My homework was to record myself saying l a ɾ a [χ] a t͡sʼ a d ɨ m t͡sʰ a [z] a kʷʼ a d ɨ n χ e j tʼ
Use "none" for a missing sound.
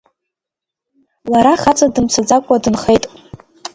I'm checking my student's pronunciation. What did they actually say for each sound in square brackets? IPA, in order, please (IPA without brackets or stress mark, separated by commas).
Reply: χ, d͡z